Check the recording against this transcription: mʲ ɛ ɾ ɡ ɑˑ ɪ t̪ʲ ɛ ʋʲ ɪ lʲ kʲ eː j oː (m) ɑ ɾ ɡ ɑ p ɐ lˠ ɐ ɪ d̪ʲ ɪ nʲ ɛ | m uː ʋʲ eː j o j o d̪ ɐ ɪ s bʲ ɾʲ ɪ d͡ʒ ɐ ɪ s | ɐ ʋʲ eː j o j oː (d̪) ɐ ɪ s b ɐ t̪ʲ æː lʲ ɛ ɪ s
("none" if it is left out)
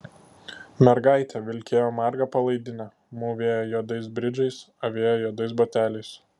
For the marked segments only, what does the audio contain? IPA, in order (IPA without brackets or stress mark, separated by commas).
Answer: m, d̪